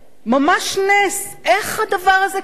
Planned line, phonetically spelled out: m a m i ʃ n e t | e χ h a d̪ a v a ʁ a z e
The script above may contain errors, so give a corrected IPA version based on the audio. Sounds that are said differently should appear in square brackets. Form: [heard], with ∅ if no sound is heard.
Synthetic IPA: m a m [a] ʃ n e [s] | e χ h a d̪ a v a ʁ a z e

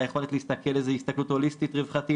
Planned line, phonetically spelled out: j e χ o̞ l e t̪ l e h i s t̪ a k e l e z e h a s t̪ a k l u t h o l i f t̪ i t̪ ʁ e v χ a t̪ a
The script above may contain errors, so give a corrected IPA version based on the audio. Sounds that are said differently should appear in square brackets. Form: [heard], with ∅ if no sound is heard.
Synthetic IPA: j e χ o̞ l e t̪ l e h i s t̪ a k e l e z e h [i] s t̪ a k l u t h o l i [s] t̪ i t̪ ʁ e v χ a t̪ [i]

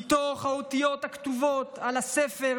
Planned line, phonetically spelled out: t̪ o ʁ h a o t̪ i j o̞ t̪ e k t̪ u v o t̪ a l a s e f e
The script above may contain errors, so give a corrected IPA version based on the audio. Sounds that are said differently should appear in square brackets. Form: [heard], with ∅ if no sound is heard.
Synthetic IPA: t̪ o [χ] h a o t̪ i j o̞ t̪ [a] k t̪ u v o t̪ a l a s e f e

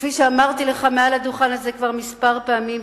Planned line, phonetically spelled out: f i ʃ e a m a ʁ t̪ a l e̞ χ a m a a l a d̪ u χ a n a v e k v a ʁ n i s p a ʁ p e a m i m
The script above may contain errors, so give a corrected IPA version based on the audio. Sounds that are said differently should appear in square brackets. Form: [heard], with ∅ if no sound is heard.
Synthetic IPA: f i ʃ e a m a ʁ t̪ [i] l e̞ χ a m [e] a l a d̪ u χ a n a [z] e k v a ʁ [m] i s p a ʁ p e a m i m

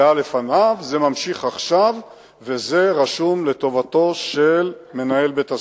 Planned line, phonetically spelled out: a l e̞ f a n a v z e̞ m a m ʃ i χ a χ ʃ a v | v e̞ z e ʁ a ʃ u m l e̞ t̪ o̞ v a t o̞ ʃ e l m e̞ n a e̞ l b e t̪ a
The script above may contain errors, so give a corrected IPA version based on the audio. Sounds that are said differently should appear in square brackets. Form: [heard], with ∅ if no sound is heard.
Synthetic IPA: a l e̞ f a n a v z e̞ m a m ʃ i χ a χ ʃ a v | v e̞ z e ʁ a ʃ u m l e̞ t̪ o̞ v a t o̞ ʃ e l m e̞ n a e̞ l b e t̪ a

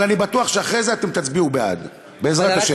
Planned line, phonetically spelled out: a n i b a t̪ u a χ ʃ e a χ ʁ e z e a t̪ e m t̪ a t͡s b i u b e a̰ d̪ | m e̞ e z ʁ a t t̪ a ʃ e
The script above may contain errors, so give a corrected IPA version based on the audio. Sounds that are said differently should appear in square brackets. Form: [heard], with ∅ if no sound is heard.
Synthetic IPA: a n i b a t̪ u a χ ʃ e a χ ʁ e z e a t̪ e m t̪ a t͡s b i u b e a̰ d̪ | [b] e̞ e z ʁ a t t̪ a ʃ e

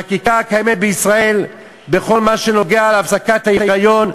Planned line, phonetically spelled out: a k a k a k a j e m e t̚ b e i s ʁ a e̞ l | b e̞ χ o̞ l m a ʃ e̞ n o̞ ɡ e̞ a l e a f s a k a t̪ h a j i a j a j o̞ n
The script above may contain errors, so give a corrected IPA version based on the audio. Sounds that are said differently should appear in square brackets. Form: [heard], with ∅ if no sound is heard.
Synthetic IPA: a k [i] k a k a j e m e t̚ b e i s ʁ a e̞ l | b e̞ χ o̞ l m a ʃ e̞ n o̞ ɡ e̞ a l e a f s a k a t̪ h a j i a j a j o̞ n

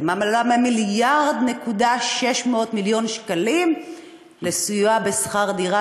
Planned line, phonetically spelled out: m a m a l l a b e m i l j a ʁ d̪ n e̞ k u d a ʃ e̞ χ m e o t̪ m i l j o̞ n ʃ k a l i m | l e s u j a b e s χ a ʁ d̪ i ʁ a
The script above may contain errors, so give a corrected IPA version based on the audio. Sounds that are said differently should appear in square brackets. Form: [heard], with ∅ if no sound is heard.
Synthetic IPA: m a m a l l a [m] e m i l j a ʁ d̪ n e̞ k u d a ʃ e̞ [ʃ] m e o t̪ m i l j o̞ n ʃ k a l i m | l e s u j a b e s χ a ʁ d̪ i ʁ a

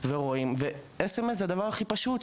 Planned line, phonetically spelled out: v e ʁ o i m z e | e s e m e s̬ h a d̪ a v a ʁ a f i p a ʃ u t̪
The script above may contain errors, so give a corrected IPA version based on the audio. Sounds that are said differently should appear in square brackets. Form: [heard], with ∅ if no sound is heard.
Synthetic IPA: v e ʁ o i m [v] e | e s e m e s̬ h a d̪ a v a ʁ a [χ] i p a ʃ u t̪

